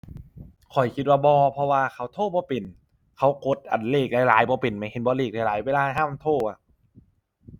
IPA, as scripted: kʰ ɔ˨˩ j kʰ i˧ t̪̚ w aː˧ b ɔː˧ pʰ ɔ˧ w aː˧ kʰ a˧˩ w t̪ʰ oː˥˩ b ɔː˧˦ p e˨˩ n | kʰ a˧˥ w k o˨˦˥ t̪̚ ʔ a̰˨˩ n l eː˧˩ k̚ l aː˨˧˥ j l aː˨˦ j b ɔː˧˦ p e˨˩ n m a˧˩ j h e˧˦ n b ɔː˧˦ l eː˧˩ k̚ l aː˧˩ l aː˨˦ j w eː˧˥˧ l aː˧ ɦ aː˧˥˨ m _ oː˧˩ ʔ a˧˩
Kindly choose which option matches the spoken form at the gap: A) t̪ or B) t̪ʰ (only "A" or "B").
B